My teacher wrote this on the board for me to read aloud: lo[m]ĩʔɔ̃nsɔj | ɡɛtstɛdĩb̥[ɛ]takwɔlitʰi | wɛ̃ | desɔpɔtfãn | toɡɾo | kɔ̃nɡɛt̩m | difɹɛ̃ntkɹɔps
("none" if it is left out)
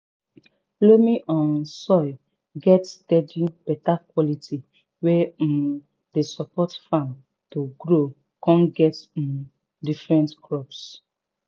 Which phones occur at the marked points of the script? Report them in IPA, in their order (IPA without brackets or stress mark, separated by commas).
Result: m, ɛ